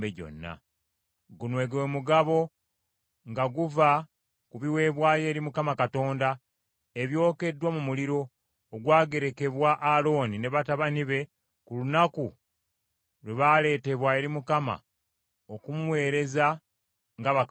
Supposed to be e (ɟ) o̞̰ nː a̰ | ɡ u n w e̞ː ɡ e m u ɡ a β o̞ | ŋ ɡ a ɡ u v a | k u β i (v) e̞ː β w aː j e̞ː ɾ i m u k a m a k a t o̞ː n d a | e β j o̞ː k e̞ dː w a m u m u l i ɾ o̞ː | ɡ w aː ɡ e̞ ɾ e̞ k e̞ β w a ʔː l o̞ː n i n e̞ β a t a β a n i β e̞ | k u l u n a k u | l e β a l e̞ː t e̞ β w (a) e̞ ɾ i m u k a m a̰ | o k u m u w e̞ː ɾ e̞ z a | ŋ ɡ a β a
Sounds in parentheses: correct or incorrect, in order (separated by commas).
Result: correct, incorrect, correct